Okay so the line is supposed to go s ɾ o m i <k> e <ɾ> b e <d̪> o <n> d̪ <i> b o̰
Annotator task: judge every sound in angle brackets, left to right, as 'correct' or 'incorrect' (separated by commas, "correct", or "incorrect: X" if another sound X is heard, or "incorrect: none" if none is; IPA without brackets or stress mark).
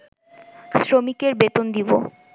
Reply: correct, correct, incorrect: t̪, correct, correct